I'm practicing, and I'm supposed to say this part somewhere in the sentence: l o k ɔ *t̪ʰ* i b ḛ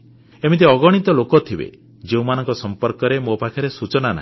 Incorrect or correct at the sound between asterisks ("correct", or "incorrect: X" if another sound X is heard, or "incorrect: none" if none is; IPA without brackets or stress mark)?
correct